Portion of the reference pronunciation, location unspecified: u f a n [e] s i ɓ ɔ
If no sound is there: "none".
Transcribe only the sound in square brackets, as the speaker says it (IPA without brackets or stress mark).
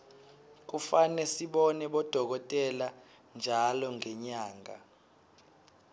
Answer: ɛ